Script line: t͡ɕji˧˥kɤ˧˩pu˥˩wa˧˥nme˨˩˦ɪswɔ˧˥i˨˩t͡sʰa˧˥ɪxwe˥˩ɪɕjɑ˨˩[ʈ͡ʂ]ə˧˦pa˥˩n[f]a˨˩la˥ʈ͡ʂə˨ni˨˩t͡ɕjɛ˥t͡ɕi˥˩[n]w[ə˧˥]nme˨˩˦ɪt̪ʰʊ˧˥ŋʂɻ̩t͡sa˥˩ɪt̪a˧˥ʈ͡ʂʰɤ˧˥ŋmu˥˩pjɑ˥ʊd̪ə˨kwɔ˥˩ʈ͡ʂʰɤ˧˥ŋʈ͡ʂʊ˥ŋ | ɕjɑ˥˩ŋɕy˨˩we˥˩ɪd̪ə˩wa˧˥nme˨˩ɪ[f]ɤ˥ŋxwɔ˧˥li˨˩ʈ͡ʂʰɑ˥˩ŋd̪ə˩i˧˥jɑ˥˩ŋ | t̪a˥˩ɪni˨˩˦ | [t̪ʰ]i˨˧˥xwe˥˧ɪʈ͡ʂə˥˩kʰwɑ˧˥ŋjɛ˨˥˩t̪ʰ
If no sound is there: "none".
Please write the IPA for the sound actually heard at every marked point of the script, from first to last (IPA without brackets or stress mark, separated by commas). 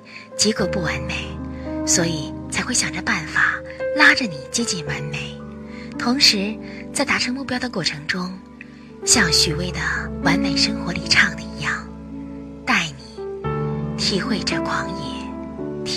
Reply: ʈ͡ʂ, f, n, a˧˥, ʂ, t̪ʰ